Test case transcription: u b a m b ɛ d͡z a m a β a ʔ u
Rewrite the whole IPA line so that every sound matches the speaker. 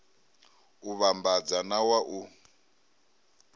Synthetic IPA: u β a m b a d͡z a n a w a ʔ u